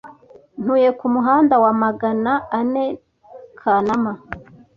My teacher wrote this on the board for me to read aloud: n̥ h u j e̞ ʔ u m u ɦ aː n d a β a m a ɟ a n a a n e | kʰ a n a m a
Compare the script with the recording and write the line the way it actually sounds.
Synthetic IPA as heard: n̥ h u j e̞ k u m u ɦ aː n d a w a m a ɡ a n a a n e | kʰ a n a m a